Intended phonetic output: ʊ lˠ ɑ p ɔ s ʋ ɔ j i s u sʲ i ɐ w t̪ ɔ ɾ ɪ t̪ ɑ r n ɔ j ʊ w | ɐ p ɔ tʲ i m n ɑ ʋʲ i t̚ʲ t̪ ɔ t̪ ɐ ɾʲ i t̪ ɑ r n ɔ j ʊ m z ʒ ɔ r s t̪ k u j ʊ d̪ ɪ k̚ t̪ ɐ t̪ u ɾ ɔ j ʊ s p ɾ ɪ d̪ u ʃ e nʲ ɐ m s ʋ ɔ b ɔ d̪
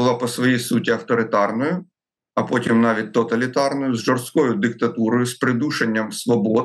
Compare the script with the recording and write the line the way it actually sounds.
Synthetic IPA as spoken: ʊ lˠ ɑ p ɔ s ʋ ɔ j i s u tʲ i ɐ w t̪ ɔ ɾ ɪ t̪ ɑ r n ɔ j ʊ | ɐ p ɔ tʲ i m n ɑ ʋʲ i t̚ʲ t̪ ɔ t̪ ɐ lʲ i t̪ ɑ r n ɔ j ʊ z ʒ ɔ r s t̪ k ɔ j ʊ d̪ ɪ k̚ t̪ ɐ t̪ u ɾ ɔ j ʊ s p ɾ ɪ d̪ u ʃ e nʲː ɐ m s ʋ ɔ b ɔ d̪